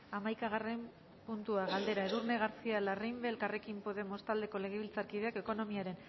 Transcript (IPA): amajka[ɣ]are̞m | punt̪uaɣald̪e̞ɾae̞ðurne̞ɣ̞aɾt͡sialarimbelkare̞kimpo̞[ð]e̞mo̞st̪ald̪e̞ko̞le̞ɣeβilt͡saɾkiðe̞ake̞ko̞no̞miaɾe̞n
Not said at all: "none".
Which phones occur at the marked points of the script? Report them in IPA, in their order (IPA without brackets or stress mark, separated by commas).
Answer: ɣ, ð